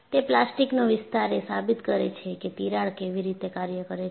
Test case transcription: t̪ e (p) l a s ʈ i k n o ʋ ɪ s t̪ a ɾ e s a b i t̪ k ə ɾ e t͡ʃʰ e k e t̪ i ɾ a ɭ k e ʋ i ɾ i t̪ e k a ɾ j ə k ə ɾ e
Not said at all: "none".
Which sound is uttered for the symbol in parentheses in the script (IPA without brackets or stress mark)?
p